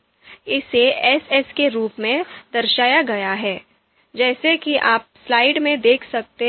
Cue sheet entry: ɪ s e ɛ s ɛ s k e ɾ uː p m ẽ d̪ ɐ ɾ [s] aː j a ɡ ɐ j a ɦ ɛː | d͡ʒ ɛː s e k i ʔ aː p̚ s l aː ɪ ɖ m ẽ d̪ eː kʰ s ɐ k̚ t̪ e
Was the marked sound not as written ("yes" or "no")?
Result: yes